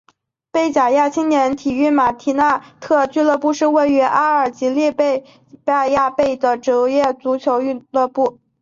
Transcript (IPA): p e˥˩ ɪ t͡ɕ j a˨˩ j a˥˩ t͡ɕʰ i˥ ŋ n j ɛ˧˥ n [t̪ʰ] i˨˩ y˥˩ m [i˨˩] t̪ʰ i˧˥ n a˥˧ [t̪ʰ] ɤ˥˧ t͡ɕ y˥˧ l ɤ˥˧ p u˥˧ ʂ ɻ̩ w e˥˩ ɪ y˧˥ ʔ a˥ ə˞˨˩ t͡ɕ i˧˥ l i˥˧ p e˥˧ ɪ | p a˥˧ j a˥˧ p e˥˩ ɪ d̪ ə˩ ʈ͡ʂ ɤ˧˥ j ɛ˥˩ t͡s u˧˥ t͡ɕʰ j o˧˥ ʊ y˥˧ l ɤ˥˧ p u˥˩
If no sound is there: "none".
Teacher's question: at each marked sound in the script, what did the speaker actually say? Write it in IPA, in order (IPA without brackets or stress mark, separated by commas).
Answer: t̪ʰ, a˨˩, t̪ʰ